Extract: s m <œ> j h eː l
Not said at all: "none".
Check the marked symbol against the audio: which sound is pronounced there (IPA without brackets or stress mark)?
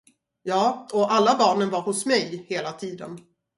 ɛ